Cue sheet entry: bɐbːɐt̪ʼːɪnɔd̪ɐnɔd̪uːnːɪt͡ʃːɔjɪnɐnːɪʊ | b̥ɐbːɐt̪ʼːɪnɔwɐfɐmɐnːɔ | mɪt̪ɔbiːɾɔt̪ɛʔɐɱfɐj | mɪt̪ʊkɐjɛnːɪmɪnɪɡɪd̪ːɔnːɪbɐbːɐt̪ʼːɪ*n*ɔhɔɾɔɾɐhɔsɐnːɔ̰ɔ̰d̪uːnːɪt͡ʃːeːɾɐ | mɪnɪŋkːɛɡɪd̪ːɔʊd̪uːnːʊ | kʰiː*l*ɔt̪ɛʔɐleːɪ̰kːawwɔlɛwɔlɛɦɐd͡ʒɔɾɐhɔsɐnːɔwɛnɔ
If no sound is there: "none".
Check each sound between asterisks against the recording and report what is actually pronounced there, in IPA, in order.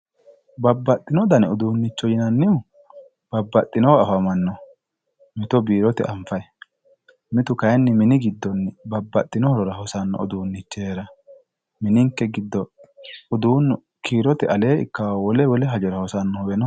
n, ɾ

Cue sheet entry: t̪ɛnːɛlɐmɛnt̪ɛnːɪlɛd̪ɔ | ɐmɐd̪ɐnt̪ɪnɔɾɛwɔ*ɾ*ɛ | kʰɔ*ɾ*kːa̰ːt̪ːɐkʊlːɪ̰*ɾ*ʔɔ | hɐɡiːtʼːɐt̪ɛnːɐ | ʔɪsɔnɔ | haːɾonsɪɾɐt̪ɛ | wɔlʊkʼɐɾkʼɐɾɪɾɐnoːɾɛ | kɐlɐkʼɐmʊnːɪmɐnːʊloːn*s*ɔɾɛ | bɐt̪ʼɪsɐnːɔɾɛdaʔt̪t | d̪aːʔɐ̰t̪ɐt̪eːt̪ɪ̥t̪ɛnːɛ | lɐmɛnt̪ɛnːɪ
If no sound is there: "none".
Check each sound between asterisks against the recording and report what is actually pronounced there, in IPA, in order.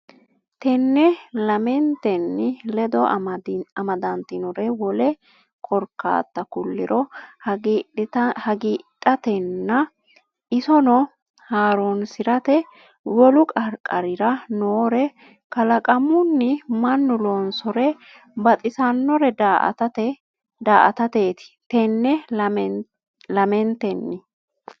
l, ɾ, ɾ, s

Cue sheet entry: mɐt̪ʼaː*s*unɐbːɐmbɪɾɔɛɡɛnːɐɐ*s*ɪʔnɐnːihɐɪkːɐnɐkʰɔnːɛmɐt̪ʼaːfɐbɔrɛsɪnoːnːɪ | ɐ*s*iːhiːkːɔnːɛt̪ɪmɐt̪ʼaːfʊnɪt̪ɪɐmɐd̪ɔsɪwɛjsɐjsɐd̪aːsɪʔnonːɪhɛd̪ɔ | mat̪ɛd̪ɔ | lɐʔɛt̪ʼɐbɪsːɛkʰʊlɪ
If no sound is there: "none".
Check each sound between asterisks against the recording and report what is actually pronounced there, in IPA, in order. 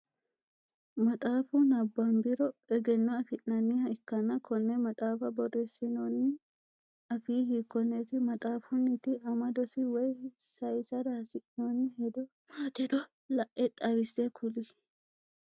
f, f, f

